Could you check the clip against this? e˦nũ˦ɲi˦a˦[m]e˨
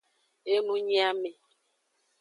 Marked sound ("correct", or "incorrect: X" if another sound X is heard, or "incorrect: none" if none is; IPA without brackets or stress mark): correct